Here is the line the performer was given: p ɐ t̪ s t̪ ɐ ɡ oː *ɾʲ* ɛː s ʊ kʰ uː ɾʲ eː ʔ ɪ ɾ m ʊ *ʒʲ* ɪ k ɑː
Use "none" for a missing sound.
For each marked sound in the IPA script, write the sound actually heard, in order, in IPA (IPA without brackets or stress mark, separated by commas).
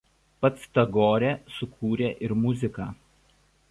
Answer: ɾʲ, zʲ